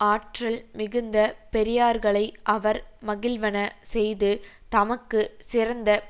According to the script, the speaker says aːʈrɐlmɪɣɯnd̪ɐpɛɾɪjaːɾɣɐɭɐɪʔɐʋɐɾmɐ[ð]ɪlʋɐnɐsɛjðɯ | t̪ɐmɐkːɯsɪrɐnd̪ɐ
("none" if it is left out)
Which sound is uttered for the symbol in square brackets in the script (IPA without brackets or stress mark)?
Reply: ɣ